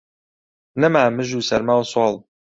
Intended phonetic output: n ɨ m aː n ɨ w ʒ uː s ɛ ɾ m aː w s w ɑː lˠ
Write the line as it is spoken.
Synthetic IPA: n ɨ m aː m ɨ ʒ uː s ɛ ɾ m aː w s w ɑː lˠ